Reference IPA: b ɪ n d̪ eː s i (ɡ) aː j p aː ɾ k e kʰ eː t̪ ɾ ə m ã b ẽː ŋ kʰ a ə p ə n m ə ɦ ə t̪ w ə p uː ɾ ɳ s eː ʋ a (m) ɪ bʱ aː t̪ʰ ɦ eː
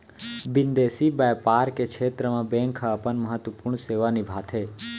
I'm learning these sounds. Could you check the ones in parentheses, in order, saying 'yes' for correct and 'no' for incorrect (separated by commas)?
no, no